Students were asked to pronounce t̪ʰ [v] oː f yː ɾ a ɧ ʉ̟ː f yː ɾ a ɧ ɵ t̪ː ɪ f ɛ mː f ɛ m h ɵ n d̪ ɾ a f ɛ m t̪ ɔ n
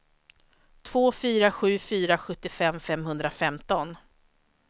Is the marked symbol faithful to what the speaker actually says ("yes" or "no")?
yes